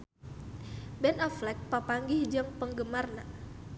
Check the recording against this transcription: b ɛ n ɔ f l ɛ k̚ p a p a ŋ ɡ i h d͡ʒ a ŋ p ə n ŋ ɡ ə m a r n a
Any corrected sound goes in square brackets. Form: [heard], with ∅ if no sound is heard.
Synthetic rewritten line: b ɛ n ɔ f l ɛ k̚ p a p a ŋ ɡ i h d͡ʒ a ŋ p ə [∅] ŋ ɡ ə m a r n a